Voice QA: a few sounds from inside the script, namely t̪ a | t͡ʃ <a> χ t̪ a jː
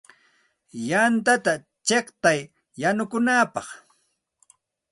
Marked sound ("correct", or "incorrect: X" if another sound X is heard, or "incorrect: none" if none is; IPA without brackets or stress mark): incorrect: e